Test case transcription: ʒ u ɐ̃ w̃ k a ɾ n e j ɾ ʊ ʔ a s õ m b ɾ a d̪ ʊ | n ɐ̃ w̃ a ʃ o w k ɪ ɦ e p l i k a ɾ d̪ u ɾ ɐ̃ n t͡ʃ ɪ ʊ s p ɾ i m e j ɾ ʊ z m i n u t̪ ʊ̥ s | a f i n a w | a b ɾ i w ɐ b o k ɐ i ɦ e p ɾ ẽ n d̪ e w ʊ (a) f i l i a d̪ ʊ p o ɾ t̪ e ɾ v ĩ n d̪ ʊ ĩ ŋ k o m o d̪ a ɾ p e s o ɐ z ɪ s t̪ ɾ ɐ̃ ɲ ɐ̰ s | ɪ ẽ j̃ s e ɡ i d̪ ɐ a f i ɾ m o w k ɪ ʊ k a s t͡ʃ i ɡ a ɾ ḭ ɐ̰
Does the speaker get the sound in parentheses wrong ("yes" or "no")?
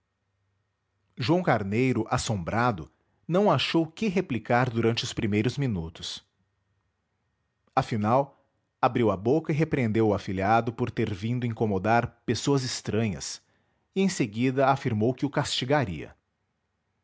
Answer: no